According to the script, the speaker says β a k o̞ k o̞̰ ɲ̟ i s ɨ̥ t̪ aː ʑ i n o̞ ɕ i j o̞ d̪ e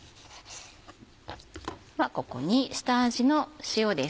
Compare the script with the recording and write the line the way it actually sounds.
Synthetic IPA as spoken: β a k o̞ k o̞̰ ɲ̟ i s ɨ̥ t̪ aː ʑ i n o̞ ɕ i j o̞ d̪ e